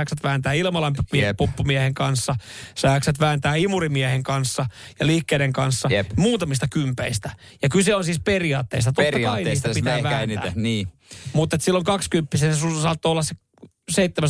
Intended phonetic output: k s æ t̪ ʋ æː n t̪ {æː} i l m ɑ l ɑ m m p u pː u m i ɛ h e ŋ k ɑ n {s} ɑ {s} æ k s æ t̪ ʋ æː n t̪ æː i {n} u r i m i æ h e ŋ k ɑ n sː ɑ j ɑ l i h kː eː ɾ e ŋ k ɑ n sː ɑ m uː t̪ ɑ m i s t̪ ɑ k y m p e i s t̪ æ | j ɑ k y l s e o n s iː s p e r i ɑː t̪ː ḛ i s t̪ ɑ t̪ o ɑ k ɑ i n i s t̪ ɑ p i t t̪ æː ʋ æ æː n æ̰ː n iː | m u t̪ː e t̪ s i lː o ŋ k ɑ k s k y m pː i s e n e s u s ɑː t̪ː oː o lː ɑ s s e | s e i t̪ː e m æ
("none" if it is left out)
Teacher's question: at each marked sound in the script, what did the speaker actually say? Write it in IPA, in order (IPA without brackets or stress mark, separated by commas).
æː, sː, s, m